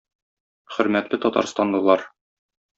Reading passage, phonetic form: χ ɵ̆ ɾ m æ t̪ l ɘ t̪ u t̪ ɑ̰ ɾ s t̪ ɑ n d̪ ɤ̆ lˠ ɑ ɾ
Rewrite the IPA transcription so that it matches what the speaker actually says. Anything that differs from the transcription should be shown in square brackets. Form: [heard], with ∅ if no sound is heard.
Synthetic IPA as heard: χ ɵ̆ ɾ m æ t̪ l ɘ t̪ [ɒ] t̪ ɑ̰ ɾ s t̪ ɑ n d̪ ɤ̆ lˠ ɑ ɾ